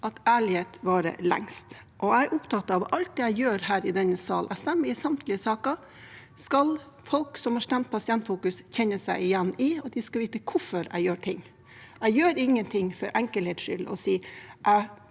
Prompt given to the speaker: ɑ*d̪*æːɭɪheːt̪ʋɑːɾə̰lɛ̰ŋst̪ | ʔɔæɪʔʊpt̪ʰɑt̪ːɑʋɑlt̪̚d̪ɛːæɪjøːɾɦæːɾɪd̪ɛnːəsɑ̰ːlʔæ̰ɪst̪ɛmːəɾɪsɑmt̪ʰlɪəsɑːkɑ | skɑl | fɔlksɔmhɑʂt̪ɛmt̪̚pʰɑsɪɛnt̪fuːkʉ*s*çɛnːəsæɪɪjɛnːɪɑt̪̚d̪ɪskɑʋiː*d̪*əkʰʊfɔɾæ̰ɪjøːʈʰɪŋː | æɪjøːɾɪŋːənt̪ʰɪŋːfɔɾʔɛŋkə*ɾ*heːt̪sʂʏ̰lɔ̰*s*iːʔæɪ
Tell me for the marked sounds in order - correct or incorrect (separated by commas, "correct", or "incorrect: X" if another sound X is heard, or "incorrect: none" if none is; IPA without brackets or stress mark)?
incorrect: t̪, correct, incorrect: t̪, incorrect: l, correct